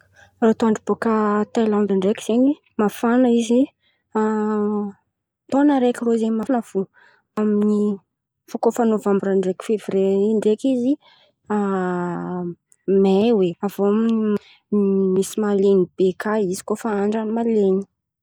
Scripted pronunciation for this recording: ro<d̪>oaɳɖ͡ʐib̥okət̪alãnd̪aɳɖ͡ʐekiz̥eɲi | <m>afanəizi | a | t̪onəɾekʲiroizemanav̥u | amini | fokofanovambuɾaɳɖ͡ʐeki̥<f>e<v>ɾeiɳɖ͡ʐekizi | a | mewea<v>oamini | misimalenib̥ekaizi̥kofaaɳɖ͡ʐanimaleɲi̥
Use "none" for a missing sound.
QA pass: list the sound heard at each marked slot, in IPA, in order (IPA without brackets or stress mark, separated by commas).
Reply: t̪, m, f, v, v